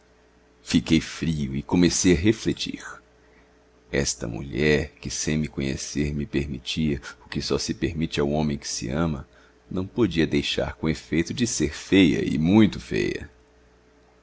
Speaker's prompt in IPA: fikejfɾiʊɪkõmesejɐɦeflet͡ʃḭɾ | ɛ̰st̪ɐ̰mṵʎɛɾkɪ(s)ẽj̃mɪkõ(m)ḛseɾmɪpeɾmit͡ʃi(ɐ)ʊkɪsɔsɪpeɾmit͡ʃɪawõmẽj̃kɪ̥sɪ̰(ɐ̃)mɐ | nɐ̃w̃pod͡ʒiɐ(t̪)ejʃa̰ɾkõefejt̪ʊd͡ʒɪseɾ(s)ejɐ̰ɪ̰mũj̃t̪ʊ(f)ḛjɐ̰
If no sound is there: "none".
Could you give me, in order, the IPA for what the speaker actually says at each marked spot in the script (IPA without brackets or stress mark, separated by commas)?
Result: s, ɲ, ɐ, ɐ̃, d̪, f, f